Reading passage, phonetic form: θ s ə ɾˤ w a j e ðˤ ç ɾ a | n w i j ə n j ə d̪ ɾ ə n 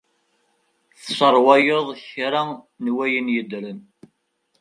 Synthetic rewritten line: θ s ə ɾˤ w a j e ðˤ ç ɾ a | n w æ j ə n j ə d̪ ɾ ə n